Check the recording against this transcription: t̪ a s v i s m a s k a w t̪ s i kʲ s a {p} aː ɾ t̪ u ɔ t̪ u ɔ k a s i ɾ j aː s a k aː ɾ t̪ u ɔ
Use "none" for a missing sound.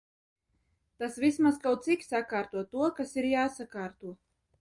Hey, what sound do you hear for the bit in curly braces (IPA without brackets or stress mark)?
k